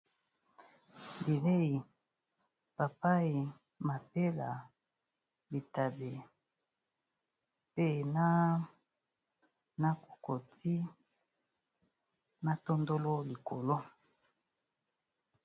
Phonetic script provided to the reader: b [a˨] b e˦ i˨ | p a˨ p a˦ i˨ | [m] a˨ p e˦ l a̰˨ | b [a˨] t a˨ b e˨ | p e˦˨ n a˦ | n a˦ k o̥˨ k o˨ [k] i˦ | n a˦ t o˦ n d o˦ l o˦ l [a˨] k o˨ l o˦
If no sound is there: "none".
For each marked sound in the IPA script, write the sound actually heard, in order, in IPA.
i˨, m, i˨, t, i˨

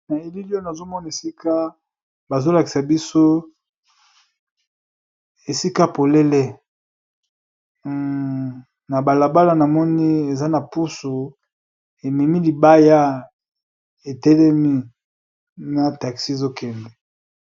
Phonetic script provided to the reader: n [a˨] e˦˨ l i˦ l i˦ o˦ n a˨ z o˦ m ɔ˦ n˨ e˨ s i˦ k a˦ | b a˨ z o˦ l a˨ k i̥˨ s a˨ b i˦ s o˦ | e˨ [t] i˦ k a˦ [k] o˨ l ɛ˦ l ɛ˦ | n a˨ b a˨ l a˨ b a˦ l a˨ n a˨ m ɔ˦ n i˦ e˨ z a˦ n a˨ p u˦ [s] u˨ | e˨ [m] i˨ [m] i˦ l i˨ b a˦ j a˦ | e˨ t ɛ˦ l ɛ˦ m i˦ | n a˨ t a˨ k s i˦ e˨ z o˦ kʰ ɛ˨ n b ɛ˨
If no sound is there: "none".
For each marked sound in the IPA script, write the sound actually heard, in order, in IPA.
a˨, s, p, s, m, m

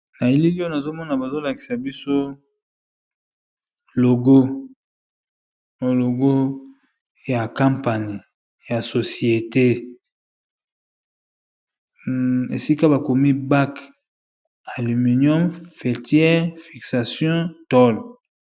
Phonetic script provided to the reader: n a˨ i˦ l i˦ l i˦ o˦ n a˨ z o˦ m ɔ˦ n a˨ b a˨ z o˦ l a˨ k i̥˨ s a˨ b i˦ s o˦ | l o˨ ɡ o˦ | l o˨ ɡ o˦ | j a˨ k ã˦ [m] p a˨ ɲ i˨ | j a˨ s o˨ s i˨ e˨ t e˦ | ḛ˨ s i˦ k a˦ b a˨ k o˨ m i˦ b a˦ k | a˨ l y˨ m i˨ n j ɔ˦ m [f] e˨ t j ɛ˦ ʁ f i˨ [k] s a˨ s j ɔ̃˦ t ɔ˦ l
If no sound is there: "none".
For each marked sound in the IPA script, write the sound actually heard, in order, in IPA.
m, f, k

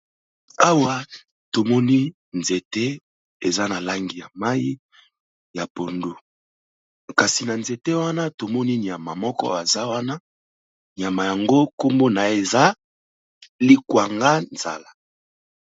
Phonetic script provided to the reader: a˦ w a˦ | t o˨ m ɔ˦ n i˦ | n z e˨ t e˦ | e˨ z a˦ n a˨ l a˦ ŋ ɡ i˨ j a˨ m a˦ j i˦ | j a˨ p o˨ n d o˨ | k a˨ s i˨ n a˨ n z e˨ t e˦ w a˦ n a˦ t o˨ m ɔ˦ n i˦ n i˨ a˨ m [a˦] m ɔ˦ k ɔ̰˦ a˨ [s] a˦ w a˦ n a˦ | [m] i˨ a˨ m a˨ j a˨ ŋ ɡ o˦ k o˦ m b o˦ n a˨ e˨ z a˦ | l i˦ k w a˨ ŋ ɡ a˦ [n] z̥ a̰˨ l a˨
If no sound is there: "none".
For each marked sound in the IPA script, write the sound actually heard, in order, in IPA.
a˨, z, n, n

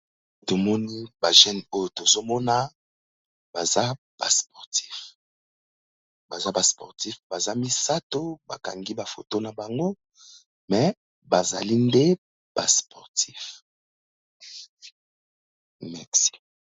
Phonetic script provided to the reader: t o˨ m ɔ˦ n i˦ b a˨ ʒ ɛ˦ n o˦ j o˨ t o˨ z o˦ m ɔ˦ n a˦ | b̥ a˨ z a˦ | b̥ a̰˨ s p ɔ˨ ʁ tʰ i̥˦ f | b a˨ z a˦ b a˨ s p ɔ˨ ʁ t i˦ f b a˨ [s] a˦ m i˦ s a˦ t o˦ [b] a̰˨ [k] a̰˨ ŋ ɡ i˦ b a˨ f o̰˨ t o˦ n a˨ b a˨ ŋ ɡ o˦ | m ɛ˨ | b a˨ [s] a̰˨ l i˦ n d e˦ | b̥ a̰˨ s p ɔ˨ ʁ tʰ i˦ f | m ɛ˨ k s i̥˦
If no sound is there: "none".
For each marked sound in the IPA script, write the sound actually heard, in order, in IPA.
z, b, k, z

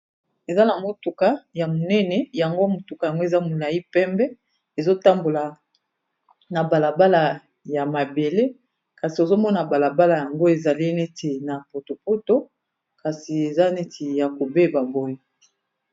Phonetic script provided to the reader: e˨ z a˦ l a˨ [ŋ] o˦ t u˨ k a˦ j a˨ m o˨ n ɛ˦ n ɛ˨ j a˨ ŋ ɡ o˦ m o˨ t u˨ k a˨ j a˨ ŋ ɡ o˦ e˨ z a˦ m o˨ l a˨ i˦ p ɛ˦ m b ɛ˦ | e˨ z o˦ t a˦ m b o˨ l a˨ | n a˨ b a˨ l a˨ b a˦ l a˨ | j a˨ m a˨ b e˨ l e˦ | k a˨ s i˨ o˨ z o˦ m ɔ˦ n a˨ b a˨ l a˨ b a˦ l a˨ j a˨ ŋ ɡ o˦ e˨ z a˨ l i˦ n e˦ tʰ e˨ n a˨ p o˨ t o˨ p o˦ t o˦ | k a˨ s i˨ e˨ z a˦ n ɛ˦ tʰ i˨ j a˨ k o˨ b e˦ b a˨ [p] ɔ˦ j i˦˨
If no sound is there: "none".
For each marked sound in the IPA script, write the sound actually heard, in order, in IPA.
ŋ, b

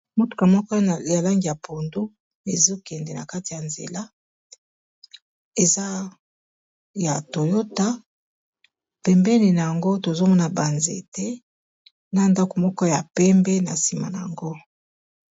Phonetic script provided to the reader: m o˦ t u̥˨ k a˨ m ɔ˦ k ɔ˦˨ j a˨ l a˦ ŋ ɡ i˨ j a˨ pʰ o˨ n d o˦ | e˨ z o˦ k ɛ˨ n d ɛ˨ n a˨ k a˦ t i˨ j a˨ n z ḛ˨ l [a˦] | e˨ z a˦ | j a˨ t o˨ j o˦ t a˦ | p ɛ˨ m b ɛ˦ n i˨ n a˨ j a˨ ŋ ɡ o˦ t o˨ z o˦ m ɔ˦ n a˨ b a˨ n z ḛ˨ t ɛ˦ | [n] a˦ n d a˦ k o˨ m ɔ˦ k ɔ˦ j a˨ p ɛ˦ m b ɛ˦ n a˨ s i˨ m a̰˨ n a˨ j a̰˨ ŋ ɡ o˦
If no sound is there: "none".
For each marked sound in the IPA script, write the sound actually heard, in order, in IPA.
a˦, n

